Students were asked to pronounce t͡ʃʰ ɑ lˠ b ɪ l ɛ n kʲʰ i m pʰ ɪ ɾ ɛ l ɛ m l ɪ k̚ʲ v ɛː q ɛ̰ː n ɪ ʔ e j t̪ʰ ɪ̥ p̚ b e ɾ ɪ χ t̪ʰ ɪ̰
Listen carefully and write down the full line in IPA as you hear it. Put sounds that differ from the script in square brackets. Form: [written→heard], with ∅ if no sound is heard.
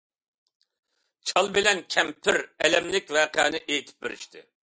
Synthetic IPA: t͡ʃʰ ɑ lˠ b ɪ l ɛ n kʲʰ [i→ɛ] m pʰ ɪ ɾ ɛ l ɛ m l ɪ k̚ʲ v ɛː q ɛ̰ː n ɪ ʔ e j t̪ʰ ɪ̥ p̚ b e ɾ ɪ [χ→ʃ] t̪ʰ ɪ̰